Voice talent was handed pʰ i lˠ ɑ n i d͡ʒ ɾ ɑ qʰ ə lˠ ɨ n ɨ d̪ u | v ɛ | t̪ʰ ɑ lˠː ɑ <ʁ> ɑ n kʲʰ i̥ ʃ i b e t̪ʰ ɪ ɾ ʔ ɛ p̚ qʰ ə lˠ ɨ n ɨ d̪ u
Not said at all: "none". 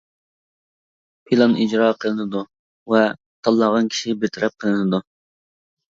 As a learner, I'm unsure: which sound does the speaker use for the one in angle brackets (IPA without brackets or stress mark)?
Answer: ʁ